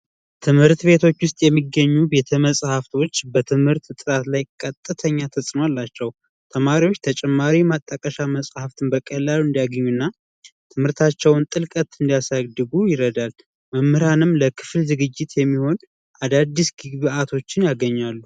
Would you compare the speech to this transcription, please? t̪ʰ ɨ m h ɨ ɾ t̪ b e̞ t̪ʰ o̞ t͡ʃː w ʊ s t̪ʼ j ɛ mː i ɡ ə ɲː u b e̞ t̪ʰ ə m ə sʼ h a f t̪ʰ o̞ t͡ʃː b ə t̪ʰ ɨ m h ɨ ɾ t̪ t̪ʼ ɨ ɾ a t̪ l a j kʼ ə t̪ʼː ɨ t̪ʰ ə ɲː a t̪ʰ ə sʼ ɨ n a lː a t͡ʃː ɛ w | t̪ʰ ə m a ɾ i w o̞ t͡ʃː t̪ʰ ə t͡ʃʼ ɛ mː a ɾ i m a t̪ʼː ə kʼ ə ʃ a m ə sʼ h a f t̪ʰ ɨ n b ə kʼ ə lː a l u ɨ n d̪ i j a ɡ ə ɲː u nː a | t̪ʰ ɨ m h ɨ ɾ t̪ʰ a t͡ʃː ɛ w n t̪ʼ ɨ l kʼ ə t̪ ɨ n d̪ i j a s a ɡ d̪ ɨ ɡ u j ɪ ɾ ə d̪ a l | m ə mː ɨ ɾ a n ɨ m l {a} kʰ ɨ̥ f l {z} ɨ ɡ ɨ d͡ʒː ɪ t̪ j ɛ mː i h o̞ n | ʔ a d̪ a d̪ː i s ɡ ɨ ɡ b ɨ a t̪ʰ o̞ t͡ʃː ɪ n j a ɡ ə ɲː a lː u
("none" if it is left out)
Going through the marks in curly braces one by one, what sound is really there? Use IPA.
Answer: ə, z

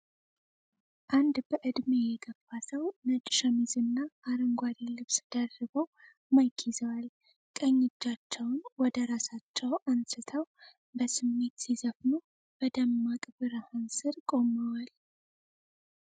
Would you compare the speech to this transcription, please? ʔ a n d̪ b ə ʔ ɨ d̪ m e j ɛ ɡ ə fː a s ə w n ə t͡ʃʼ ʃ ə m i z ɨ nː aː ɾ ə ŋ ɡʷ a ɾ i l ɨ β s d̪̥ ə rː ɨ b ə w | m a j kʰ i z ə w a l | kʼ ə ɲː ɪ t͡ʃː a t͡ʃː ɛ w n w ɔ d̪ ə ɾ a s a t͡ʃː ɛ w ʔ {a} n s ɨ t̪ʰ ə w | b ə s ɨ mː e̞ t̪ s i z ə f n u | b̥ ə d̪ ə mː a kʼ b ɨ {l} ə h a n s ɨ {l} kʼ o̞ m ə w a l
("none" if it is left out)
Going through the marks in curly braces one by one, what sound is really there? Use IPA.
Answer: a, ɾ, ɾ

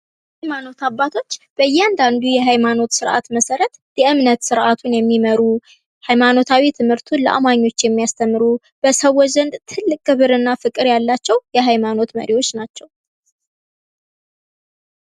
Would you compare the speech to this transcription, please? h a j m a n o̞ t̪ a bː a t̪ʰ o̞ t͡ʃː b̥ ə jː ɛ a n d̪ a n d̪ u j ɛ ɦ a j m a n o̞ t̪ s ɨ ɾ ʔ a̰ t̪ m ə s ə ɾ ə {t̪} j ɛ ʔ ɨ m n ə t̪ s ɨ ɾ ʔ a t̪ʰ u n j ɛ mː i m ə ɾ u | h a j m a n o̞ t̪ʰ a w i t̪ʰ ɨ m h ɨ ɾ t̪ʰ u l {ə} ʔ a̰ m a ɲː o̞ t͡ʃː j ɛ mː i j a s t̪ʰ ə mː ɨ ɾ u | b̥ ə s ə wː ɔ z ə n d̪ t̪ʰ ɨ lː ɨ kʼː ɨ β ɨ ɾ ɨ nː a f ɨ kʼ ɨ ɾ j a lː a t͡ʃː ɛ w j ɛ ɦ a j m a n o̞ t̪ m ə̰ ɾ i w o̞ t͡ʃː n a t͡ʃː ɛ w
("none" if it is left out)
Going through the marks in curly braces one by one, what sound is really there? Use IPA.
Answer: t̪, ə

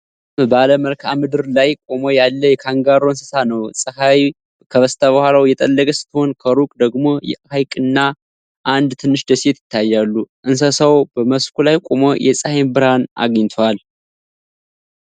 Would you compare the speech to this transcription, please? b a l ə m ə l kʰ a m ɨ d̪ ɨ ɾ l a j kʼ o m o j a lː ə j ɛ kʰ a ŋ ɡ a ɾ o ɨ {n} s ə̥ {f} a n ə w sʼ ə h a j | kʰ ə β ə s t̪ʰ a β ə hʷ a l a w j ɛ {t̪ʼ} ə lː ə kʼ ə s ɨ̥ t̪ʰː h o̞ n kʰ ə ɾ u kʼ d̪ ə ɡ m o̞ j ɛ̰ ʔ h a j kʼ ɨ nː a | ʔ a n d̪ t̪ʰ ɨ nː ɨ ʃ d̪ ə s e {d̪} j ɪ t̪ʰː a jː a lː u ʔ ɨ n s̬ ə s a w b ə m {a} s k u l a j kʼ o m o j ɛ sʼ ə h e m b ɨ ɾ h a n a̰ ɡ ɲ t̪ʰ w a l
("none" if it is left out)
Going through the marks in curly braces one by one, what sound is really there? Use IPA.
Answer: n, s, t̪ʼ, t̪, ə

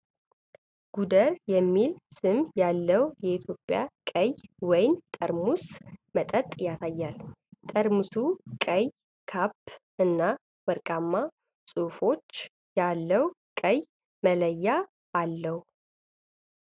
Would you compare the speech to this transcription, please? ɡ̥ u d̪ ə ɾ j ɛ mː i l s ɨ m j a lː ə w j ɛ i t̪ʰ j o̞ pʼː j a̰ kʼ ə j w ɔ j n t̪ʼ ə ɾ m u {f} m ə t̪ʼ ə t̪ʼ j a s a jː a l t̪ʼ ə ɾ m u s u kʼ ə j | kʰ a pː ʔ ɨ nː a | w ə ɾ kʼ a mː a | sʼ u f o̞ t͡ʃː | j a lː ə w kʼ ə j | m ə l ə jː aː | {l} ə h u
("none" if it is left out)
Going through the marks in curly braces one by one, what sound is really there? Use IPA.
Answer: s, lː

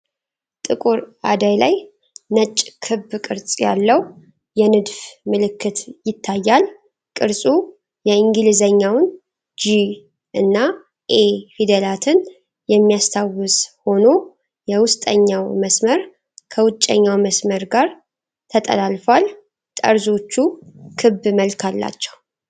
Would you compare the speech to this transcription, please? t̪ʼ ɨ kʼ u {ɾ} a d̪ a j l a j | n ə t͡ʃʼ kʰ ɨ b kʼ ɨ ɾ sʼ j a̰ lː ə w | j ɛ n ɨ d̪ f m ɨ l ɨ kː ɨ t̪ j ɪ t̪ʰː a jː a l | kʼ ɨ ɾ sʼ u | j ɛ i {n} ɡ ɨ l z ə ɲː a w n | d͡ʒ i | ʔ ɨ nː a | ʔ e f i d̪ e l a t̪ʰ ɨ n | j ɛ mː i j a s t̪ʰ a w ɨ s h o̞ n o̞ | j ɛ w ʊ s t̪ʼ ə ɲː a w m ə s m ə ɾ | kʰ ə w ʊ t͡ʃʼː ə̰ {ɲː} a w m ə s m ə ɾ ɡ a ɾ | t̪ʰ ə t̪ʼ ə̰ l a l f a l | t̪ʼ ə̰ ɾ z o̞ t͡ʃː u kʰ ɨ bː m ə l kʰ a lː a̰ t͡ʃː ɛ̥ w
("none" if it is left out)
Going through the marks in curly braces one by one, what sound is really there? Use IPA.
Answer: ɾ, ŋ, ɲː

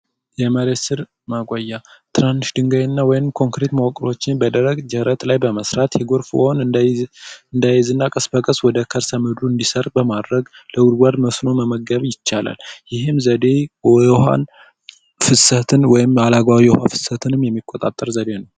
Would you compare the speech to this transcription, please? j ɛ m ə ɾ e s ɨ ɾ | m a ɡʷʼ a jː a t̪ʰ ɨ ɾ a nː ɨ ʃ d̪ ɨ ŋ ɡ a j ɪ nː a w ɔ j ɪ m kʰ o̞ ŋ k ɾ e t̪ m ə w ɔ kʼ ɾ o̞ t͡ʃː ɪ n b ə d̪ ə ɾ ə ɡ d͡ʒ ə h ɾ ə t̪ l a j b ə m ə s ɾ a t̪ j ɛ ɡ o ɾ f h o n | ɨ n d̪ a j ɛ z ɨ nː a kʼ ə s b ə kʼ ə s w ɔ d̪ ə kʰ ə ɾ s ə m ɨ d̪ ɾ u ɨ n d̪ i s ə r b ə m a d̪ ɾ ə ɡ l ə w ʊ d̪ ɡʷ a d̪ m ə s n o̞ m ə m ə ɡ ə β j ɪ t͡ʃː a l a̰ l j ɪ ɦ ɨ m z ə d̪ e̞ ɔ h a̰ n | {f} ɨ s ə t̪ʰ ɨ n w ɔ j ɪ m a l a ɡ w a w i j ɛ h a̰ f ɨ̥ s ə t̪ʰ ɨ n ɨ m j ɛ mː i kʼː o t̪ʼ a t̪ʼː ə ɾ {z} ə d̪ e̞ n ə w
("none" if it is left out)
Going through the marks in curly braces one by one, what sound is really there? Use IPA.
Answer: f, z

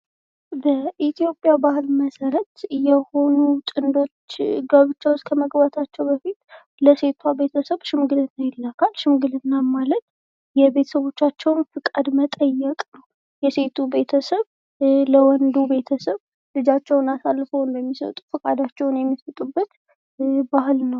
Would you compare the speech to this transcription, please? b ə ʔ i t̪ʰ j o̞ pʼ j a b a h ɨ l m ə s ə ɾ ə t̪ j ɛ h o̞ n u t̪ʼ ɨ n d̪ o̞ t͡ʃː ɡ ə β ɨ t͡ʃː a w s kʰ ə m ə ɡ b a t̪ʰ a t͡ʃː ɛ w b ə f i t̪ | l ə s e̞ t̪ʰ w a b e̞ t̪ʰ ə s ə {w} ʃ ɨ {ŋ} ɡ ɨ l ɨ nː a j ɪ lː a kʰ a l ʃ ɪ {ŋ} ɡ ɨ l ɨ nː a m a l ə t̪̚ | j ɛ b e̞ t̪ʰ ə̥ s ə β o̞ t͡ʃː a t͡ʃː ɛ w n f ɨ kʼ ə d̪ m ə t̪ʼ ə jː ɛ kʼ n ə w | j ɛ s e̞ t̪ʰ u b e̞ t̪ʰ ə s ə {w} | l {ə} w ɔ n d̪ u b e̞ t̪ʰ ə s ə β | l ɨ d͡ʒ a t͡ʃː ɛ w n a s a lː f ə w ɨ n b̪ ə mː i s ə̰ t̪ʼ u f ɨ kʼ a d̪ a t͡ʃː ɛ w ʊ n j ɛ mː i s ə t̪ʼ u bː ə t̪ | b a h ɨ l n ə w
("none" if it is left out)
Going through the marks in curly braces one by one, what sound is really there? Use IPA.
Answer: β, m, m, β, ə

